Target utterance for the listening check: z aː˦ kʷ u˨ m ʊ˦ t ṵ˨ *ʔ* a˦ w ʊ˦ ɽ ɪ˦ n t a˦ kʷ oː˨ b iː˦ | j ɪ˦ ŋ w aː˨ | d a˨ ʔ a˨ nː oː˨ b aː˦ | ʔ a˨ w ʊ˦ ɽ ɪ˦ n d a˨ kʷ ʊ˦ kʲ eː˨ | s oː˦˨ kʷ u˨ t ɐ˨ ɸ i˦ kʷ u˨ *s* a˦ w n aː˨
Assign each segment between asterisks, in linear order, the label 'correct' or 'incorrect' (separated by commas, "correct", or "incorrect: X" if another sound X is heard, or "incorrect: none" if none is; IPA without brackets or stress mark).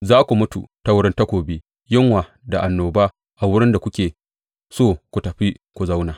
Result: incorrect: t, incorrect: z